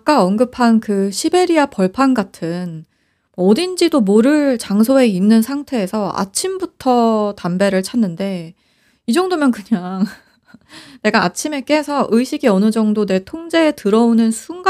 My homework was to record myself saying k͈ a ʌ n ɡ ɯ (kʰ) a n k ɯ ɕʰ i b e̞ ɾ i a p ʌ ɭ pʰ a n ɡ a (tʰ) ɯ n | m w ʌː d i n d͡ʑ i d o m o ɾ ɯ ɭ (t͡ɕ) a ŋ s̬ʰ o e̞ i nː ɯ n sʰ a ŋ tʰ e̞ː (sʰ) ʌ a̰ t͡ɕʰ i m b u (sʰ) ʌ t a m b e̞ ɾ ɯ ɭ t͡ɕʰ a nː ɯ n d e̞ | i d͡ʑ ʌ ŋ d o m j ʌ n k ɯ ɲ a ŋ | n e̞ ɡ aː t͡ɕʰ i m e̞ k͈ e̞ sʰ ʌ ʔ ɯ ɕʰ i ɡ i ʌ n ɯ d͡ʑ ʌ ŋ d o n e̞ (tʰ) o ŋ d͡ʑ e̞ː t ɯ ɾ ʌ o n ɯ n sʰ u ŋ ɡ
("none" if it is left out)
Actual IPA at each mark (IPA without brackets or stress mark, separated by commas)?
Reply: pʰ, tʰ, t͡ɕ, sʰ, tʰ, tʰ